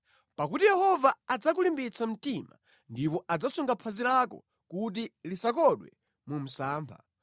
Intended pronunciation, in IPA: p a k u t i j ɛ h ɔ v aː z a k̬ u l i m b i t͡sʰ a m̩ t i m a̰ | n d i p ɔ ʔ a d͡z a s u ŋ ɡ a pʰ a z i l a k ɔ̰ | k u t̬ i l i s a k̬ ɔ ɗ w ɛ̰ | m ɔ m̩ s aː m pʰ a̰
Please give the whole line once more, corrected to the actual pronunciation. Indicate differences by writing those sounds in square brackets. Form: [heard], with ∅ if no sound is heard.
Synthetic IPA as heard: p a k u t i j ɛ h ɔ v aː [d͡z] a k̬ u l i m b i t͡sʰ a m̩ t i m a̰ | n d i p ɔ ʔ a d͡z a s u ŋ ɡ a pʰ a z i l a k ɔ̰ | k u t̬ i l i s a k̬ ɔ ɗ w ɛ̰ | m [u] m̩ s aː m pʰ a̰